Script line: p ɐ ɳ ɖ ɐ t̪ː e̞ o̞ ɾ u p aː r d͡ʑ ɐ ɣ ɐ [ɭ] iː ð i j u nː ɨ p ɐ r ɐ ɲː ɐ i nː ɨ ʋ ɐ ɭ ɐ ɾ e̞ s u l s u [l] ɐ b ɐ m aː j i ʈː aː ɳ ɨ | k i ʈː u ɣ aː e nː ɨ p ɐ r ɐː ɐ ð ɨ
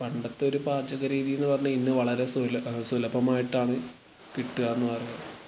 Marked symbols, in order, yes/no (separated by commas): no, yes